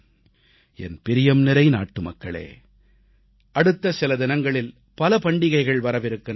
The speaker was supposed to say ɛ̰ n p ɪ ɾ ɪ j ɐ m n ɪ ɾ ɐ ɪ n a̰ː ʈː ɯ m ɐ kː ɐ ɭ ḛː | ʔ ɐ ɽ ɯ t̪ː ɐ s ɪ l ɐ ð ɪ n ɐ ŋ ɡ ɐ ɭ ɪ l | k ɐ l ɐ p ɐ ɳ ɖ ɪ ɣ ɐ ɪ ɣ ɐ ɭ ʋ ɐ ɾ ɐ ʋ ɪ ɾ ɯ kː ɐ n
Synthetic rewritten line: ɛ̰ n p ɪ ɾ ɪ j ɐ m n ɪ ɾ ɐ ɪ n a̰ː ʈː ɯ m ɐ kː ɐ ɭ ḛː | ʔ ɐ ɽ ɯ t̪ː ɐ s ɪ l ɐ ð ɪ n ɐ ŋ ɡ ɐ ɭ ɪ l | p ɐ l ɐ p ɐ ɳ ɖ ɪ ɣ ɐ ɪ ɣ ɐ ɭ ʋ ɐ ɾ ɐ ʋ ɪ ɾ ɯ kː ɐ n